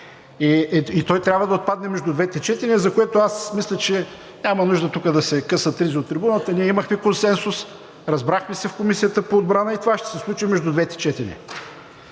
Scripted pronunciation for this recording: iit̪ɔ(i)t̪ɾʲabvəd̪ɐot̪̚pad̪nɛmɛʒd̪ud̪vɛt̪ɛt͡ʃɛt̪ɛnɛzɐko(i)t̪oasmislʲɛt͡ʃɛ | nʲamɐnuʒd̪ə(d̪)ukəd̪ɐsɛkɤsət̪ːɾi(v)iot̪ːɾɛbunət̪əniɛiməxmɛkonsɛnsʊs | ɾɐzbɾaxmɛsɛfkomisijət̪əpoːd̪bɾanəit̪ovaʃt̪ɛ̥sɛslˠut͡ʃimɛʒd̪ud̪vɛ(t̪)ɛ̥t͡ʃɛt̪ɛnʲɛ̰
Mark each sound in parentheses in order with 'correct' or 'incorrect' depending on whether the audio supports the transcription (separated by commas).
incorrect, incorrect, incorrect, incorrect, correct